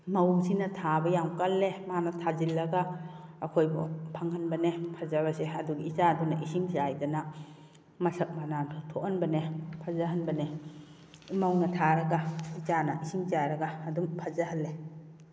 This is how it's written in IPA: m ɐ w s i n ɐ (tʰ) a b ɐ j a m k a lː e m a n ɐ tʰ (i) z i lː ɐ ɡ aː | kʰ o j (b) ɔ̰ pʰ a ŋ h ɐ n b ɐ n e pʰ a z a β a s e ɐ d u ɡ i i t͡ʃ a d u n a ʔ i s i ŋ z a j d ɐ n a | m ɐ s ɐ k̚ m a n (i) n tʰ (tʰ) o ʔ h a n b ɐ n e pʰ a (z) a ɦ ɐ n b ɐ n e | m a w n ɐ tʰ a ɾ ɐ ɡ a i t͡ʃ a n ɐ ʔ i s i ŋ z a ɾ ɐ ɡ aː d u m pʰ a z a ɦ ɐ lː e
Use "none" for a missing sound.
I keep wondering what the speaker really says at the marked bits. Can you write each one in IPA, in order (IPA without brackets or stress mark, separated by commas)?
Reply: tʰ, a, b, a, tʰ, z